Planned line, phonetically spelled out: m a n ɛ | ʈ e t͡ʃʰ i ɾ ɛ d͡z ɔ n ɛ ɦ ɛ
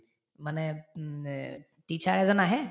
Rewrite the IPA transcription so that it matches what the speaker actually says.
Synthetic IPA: m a n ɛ | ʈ i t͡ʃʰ a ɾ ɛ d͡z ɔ n a ɦ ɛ